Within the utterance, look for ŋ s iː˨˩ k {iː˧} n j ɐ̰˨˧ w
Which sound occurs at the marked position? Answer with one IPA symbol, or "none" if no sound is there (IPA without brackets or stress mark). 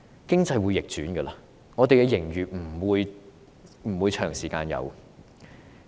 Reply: aː˧